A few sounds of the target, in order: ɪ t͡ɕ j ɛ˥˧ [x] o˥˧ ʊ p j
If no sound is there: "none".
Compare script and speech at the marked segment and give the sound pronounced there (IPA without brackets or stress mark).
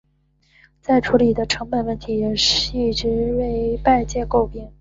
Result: k